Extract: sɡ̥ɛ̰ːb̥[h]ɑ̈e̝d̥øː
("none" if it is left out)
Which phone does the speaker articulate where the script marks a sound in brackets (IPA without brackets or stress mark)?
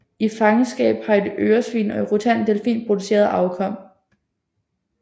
h